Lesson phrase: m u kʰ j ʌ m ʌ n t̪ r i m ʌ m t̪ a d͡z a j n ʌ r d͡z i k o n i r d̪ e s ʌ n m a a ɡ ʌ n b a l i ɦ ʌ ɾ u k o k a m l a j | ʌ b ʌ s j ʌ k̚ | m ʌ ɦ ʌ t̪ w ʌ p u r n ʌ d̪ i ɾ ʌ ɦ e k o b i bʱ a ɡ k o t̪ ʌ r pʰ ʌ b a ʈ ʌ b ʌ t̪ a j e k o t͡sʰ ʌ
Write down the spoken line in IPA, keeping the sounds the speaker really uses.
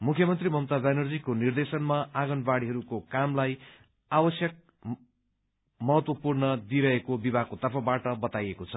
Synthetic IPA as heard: m u kʰ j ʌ m ʌ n t̪ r i m ʌ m t̪ a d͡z a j n ʌ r d͡z i k o n i r d̪ e s ʌ n m a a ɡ ʌ n b a ɽ i ɦ ʌ ɾ u k o k a m l a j | a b ʌ s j ʌ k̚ | m ʌ ɦ ʌ t̪ w ʌ p u r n ʌ d̪ i ɾ ʌ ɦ e k o b i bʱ a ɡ k o t̪ ʌ r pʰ ʌ b a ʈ ʌ b ʌ t̪ a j e k o t͡sʰ ʌ

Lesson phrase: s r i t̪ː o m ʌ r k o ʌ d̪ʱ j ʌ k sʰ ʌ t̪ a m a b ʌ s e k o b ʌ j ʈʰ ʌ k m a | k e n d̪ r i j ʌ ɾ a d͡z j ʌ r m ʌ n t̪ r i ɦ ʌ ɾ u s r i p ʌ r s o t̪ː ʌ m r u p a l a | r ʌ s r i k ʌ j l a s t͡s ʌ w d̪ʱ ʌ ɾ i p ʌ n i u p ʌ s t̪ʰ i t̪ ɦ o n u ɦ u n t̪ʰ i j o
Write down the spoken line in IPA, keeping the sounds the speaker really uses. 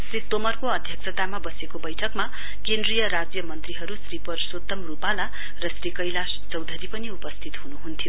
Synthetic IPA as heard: s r i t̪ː o m ʌ r k o ʌ d̪ʱ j ʌ k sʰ ʌ t̪ a m a b ʌ s e k o b ʌ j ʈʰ ʌ k m a | k e n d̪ r i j ʌ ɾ a d͡z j ʌ m ʌ n t̪ r i ɦ ʌ ɾ u s r i p ʌ r s o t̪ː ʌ m r u p a l a | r ʌ s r i k ʌ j l a s t͡s ʌ w d̪ʱ ʌ ɾ i p ʌ n i u p ʌ s t̪ʰ i t̪ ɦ u n u ɦ u n t̪ʰ i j o

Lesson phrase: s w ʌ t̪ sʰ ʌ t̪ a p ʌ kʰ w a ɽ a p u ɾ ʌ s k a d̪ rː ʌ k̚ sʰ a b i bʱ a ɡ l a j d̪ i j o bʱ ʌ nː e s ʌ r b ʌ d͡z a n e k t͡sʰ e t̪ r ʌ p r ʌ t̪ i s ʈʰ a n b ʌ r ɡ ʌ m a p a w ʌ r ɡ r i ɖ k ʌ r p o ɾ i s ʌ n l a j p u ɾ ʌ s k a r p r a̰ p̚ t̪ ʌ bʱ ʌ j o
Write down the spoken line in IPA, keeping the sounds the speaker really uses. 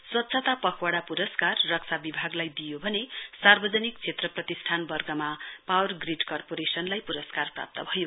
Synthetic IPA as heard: s w ʌ t̪ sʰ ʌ t̪ a p ʌ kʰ w a ɽ a p u ɾ ʌ s k a rː ʌ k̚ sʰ a b i bʱ a ɡ l a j d̪ i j o bʱ ʌ n e s a r b ʌ d͡z ʌ n i k t͡sʰ e t̪ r ʌ p r ʌ t̪ i s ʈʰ a n b ʌ r ɡ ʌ m a p a w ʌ r ɡ r i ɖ k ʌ r p o ɾ e s ʌ n l a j p u ɾ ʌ s k a r p r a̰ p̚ t̪ ʌ bʱ ʌ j o

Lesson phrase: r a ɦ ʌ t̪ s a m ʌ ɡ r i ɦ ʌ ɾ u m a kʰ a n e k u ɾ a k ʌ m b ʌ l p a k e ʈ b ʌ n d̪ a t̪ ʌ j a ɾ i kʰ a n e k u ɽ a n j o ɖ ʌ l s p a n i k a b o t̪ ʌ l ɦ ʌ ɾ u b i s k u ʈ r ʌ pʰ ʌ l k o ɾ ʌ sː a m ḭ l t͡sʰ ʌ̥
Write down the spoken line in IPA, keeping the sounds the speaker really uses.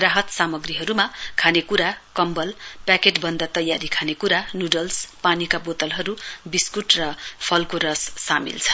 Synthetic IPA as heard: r a ɦ ʌ t̪ s a m ʌ ɡ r i ɦ ʌ ɾ u m a kʰ a n e k u ɾ a k ʌ m b ʌ l p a k e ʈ b ʌ n d̪ a t̪ ʌ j a ɾ i kʰ a n e k u ɾ a n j u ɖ ʌ l s p a n i k a b o t̪ ʌ l ɦ ʌ ɾ u b i s k u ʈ r ʌ pʰ ʌ l k o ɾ ʌ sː a m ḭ l t͡sʰ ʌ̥

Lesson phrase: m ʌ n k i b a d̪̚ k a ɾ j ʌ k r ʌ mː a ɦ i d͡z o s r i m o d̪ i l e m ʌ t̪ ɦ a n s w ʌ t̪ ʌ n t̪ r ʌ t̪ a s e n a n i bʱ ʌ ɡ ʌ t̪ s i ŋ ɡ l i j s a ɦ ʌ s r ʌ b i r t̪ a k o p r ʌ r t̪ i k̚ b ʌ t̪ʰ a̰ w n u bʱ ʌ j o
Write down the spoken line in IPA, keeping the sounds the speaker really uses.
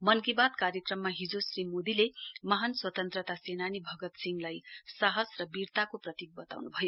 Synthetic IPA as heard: m ʌ n k i b a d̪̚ k a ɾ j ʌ k r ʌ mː a ɦ i d͡z o s r i m o d̪ i l e m ʌ ɦ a n s w ʌ t̪ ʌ n t̪ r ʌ t̪ a s e n a n i bʱ ʌ ɡ ʌ t̪ s i ŋ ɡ l a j s a ɦ ʌ s r ʌ b i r t̪ a k o p r ʌ t̪ i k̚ b ʌ t̪ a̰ w n u bʱ ʌ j o

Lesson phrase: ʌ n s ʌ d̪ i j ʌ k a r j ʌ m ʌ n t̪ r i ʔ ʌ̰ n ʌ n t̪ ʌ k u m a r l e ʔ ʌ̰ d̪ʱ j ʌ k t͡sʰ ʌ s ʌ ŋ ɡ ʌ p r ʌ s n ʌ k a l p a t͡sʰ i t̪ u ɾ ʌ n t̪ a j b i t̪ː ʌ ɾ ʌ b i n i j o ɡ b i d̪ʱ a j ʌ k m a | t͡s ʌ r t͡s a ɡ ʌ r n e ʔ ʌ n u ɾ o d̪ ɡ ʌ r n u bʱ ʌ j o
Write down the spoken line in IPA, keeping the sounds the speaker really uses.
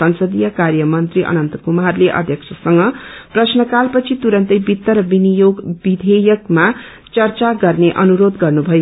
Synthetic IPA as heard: ʌ n s ʌ d̪ i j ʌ k a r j ʌ m ʌ n t̪ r i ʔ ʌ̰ n ʌ n t̪ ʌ k u m a r l e ʔ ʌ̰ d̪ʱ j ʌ k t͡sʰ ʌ s ʌ ŋ ɡ ʌ p r ʌ s n ʌ k a l p ʌ t͡sʰ i t̪ u ɾ ʌ n t̪ ʌ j b i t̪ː ʌ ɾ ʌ b i n i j o ɡ b i d̪ʱ e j ʌ k m a | t͡s ʌ r t͡s a ɡ ʌ r n e ʔ ʌ n u ɾ o d̪ ɡ ʌ r n u bʱ ʌ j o

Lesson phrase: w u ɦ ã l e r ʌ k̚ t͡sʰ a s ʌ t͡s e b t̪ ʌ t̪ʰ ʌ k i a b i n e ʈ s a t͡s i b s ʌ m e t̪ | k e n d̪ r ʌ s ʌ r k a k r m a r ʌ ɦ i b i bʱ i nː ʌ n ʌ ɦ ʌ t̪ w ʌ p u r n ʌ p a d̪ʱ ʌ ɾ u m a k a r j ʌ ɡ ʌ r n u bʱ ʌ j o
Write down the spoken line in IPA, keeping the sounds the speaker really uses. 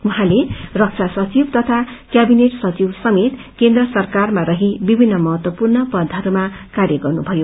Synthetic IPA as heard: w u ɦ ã l e r ʌ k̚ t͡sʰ a s ʌ t͡s i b t̪ ʌ t̪ʰ a k j a b i n e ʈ s ʌ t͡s i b s ʌ m e t̪ | k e n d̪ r ʌ s ʌ r k a r m a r ʌ ɦ i b i bʱ i nː ʌ m ʌ ɦ ʌ t̪ w ʌ p u r n ʌ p ʌ d̪ʱ ʌ ɾ u m a k a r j ʌ ɡ ʌ r n u bʱ ʌ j o

